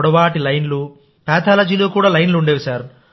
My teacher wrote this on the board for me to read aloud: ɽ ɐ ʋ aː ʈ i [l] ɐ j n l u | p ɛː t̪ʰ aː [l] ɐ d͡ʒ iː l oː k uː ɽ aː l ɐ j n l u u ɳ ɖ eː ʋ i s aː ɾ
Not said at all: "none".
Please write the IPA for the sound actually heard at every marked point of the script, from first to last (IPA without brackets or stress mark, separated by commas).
l, l